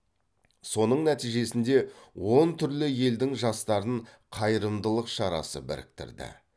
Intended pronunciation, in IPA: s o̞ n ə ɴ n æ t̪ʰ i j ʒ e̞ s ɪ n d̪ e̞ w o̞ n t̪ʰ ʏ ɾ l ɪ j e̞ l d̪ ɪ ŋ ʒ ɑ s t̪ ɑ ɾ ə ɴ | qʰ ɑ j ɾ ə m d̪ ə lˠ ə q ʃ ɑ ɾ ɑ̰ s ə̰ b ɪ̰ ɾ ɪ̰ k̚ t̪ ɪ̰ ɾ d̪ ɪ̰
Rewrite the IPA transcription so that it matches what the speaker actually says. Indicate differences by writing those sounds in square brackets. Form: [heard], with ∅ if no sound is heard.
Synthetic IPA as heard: s o̞ n ə ɴ n æ [t̪] i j ʒ e̞ s ɪ n d̪ e̞ w o̞ n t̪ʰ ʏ ɾ l ɪ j e̞ l d̪ ɪ ŋ ʒ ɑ s t̪ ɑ ɾ ə ɴ | qʰ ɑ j ɾ ə m d̪ ə lˠ ə q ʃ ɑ ɾ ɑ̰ s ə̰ b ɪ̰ ɾ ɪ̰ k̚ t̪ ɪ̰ ɾ d̪ ɪ̰